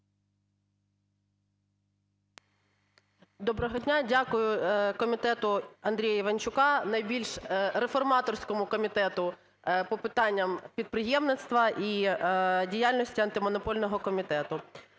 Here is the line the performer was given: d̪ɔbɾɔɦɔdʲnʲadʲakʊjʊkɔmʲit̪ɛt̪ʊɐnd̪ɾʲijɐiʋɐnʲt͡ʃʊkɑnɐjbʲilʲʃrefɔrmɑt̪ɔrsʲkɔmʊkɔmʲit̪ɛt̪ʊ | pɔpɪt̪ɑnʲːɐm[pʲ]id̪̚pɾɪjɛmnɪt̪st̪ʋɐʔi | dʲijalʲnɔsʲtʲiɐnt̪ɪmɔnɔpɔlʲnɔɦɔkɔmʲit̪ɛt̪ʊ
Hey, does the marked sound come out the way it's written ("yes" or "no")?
yes